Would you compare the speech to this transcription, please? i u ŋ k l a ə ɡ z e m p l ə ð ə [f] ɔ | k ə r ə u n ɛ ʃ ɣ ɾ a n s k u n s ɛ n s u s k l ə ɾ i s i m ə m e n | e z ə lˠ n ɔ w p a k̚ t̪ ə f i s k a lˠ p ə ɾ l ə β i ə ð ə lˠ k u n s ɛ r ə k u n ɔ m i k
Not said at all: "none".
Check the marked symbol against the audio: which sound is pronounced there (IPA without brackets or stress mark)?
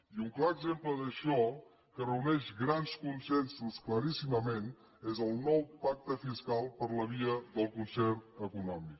ʃ